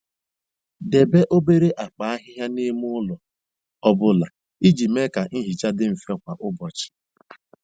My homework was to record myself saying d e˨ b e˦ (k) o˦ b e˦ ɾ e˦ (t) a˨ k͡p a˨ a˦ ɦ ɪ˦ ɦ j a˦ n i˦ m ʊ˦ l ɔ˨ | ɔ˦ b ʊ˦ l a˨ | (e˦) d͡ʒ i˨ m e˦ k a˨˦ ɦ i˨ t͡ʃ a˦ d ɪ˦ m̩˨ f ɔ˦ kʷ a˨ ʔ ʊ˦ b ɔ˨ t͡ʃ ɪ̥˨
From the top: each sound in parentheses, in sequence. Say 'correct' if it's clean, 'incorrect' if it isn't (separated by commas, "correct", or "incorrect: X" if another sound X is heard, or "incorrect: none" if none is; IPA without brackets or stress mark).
incorrect: ʔ, incorrect: ʔ, incorrect: i˦